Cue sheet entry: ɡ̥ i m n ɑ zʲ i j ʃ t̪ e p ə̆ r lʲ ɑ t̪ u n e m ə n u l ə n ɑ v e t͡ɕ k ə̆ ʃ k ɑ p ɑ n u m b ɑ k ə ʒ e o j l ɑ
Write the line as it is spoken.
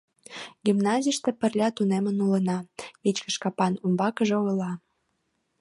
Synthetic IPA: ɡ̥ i m n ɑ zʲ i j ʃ t̪ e p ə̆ r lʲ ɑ t̪ u n e m ə n u l ə n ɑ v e t͡ɕ k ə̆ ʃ k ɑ p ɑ n u m b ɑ k ə ʒ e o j l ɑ